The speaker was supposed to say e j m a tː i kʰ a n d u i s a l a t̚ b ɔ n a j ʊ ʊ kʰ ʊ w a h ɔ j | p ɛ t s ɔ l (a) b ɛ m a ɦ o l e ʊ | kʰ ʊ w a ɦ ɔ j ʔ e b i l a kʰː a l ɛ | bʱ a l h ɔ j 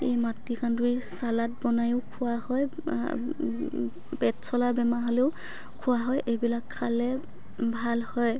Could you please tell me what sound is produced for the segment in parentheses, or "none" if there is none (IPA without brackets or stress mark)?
a